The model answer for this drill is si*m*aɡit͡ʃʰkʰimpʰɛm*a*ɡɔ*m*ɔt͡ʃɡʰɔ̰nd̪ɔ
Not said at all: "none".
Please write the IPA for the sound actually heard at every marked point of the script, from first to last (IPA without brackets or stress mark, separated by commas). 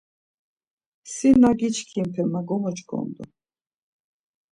n, a, m